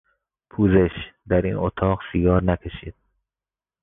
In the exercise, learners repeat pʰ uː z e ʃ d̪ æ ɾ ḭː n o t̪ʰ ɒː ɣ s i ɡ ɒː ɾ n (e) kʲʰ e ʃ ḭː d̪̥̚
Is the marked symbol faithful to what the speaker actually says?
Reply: no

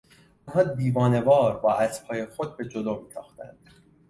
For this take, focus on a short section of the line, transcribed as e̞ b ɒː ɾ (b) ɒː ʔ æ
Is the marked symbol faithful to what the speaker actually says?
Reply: yes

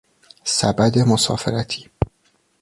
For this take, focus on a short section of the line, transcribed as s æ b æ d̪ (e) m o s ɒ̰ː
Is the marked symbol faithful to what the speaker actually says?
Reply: yes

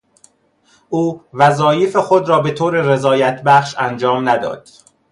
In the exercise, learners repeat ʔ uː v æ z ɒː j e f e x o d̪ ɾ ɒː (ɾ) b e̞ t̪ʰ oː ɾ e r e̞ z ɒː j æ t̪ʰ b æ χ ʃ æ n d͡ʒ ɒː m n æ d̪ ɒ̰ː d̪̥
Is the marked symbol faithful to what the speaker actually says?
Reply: no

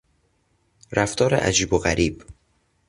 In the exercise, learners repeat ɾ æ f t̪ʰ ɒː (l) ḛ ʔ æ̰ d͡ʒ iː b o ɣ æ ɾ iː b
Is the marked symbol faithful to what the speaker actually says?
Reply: no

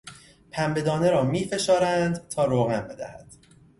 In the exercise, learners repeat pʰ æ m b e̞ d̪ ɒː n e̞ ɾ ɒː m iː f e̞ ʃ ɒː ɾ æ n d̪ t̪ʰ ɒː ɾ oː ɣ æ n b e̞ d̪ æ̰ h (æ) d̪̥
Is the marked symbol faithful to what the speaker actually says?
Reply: yes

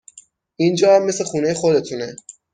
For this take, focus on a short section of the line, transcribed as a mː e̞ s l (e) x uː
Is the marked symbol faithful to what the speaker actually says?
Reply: yes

